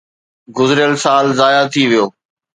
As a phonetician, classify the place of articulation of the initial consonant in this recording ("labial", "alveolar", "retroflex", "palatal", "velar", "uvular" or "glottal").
velar